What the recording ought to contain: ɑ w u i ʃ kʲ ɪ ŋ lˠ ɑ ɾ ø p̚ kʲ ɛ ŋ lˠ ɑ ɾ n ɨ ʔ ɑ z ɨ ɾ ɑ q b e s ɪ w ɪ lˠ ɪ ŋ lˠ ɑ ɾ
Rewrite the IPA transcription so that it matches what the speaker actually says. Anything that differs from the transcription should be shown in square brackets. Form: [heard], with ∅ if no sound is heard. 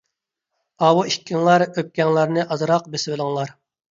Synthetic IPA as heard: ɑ w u i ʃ kʲ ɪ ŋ lˠ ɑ ɾ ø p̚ kʲ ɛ ŋ lˠ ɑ ɾ n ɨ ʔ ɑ z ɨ ɾ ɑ q b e s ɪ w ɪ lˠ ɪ ŋ lˠ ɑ ɾ